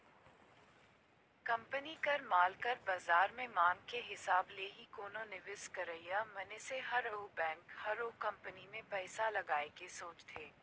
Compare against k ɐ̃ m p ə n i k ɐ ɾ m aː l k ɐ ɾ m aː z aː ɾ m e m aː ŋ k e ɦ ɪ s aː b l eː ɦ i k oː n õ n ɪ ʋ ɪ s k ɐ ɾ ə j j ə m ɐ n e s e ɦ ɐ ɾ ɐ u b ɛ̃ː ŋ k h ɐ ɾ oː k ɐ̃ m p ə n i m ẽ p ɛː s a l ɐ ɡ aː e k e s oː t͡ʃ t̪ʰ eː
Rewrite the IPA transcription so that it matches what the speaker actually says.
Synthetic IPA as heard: k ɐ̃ m p ə n i k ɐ ɾ m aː l k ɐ ɾ b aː z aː ɾ m ẽ m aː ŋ k e ɦ ɪ s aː b l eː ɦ i k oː n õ n ɪ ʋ ɪ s k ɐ ɾ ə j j a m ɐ n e s e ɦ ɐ ɾ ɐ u b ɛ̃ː ŋ k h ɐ ɾ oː k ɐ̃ m p ə n i m ẽ p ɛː s a l ɐ ɡ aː e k e s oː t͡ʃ t̪ʰ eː